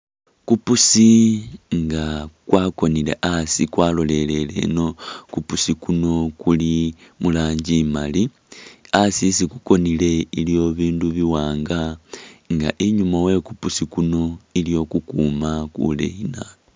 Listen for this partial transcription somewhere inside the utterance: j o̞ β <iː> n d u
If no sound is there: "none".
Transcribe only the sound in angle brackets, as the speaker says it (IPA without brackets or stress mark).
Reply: iː